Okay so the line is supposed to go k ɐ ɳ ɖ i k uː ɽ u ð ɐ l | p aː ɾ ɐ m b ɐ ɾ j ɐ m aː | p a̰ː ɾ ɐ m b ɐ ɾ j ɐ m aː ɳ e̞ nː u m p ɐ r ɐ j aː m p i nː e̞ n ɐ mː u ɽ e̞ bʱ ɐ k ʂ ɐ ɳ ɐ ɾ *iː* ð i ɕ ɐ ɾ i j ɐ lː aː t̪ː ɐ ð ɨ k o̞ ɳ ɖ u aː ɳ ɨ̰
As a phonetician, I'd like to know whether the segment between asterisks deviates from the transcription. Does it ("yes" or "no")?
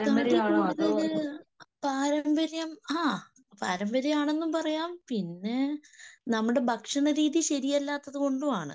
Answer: no